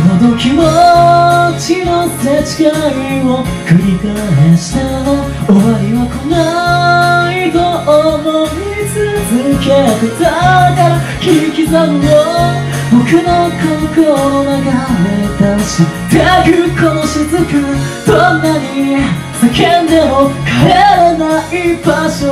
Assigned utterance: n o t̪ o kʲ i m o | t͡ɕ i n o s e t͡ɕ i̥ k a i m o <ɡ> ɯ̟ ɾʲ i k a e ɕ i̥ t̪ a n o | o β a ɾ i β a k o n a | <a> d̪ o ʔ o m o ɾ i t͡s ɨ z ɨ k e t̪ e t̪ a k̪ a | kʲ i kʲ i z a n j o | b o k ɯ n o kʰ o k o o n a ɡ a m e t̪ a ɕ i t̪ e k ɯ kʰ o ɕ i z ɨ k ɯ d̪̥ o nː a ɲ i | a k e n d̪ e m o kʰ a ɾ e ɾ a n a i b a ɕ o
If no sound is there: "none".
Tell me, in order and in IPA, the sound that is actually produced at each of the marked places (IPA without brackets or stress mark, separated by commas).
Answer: k, i